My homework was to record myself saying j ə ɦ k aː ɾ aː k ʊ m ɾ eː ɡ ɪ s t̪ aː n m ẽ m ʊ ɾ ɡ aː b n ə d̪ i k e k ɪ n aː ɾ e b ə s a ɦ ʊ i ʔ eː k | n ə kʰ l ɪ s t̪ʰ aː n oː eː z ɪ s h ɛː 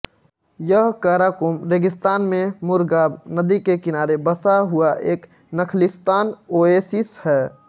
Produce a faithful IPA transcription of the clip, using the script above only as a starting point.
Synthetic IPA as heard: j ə ɦ k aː ɾ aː k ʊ m ɾ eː ɡ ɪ s t̪ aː n m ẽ m ʊ ɾ ɡ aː b n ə d̪ i k e k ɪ n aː ɾ e b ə s a ɦ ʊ a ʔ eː k | n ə kʰ l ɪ s t̪ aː n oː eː s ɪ s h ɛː